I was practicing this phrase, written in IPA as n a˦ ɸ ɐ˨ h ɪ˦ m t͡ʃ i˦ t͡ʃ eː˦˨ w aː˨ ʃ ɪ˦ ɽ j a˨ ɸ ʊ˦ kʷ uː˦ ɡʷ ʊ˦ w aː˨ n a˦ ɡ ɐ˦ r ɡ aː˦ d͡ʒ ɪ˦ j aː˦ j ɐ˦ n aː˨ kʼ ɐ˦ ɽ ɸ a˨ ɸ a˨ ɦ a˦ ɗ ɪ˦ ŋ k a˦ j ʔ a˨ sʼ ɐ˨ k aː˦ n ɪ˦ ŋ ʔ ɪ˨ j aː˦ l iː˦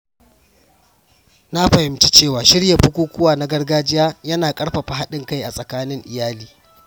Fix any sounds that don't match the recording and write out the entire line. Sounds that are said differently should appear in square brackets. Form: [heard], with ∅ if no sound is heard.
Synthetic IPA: n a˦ ɸ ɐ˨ h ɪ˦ m t͡ʃ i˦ t͡ʃ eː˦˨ w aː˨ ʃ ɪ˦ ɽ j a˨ ɸ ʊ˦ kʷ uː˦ [kʷ] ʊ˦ w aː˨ n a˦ ɡ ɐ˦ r ɡ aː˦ d͡ʒ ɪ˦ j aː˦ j ɐ˦ n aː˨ kʼ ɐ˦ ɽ ɸ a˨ ɸ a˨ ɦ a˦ ɗ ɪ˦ ŋ k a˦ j ʔ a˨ sʼ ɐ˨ k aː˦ n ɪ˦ ŋ ʔ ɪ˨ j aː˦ l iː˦